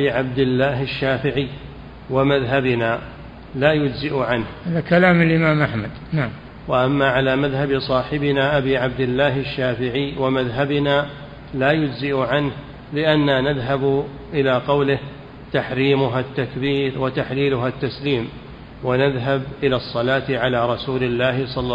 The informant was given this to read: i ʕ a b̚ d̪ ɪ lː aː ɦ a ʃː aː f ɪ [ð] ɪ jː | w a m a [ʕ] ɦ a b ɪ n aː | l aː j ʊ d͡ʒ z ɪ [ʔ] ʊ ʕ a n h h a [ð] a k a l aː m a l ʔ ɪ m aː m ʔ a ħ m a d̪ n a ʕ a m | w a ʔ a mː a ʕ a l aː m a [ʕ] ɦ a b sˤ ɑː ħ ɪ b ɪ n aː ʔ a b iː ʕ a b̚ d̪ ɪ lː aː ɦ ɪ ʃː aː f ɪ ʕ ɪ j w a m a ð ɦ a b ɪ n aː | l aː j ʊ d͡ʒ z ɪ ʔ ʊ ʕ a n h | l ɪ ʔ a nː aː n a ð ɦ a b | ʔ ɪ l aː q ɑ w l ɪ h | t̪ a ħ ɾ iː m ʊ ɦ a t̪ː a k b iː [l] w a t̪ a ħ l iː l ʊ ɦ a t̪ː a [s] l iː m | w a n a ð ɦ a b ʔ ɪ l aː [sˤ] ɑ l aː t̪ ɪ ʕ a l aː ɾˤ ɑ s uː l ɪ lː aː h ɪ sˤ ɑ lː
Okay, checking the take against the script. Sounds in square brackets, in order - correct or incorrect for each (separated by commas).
incorrect, incorrect, correct, correct, incorrect, incorrect, correct, incorrect